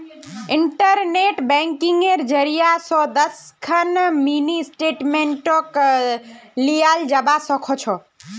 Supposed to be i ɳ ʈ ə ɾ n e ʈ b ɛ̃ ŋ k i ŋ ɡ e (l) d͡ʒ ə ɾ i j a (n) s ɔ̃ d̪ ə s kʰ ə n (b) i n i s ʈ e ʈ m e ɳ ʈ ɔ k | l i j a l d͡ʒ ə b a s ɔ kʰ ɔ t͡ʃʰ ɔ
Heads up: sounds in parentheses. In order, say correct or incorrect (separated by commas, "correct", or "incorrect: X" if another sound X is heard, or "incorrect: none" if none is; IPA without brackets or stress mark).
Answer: incorrect: ɾ, incorrect: none, incorrect: m